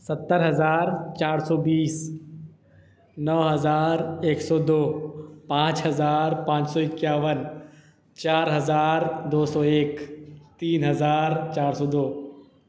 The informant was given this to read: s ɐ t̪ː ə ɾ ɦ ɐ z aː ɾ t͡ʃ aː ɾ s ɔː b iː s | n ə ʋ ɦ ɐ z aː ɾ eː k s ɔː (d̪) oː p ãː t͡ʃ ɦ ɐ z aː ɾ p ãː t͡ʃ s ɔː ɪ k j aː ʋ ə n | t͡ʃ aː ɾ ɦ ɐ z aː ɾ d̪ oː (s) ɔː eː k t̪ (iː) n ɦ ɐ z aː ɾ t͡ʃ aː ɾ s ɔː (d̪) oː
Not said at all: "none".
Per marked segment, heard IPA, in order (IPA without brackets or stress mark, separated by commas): d̪, s, iː, d̪